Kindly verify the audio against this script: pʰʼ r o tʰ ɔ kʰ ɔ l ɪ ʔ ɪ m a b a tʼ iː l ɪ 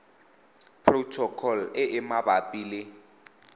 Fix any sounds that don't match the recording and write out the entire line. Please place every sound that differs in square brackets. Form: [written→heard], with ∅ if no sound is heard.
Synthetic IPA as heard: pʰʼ r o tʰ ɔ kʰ ɔ l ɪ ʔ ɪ m a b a [tʼ→pʼ] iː l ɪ